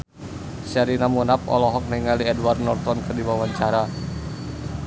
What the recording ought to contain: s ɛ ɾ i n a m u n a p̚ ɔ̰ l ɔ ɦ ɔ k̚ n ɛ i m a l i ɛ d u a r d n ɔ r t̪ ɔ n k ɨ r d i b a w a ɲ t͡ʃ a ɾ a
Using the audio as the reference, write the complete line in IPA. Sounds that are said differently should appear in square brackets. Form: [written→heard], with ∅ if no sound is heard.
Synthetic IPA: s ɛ ɾ i n a m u n a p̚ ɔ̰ l ɔ ɦ ɔ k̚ n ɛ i [m→ŋ] a l i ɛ d [u→w] a r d n ɔ r t̪ ɔ n k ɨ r d i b a w a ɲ t͡ʃ a ɾ a